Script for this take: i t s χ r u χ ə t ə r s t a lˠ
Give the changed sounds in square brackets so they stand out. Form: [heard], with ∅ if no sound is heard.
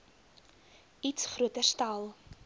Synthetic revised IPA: i t s χ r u [∅] ə t ə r s t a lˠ

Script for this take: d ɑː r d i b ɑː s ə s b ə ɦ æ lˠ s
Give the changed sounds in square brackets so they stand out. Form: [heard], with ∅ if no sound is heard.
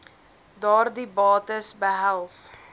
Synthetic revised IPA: d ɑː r d i b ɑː [t] ə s b ə ɦ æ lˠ s

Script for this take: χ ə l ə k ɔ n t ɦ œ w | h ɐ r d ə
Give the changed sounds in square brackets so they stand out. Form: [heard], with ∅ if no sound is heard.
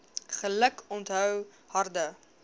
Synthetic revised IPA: χ ə l ə k ɔ n t ɦ œ w | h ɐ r d ə

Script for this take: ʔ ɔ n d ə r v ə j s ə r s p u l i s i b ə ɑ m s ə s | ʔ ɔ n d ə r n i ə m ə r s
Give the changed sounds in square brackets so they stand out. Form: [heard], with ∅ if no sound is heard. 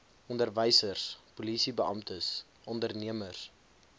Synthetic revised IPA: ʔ ɔ n d ə r v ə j s ə r s p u l i s i b ə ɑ m [t] ə s | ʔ ɔ n d ə r n i ə m ə r s

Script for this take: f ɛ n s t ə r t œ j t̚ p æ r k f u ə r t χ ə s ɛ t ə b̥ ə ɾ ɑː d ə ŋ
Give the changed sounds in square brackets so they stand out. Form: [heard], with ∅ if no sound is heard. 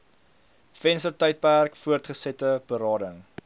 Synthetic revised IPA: f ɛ n s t ə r t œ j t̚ p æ r k f u ə r t χ ə s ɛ t ə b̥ ə ɾ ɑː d ə ŋ

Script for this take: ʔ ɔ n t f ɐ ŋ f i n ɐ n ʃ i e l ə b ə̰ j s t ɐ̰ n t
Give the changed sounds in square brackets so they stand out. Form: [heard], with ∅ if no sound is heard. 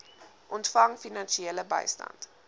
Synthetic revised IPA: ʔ ɔ n t f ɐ ŋ f i n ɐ n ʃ i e l ə b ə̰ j s t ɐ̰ n t

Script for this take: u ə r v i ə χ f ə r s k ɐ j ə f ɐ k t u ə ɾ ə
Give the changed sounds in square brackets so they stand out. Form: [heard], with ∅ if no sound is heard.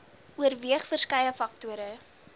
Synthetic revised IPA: u ə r v i ə χ f ə r s k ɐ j ə f ɐ k t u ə ɾ ə

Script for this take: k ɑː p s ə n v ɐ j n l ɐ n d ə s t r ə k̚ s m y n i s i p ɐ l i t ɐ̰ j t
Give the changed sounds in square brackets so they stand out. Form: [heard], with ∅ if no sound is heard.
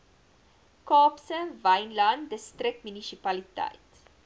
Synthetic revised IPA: k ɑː p s ə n v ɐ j n l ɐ n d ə s t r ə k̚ [t] m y n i s i p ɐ l i t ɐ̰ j t

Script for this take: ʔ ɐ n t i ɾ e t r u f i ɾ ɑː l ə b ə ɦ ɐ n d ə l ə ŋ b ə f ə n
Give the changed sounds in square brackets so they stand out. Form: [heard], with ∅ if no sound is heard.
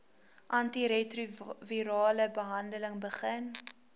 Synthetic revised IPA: ʔ ɐ n t i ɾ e t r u [v] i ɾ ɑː l ə b ə ɦ ɐ n d ə l ə ŋ b ə [χ] ə n

